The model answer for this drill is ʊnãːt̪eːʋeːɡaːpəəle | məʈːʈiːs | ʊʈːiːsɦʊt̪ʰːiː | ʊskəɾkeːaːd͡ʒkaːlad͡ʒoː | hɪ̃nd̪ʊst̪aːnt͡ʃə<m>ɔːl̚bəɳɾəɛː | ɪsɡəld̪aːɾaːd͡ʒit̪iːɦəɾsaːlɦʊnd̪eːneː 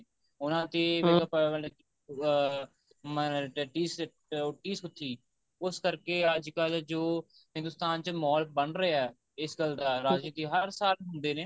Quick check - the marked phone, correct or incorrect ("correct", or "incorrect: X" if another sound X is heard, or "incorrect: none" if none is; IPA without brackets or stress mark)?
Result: correct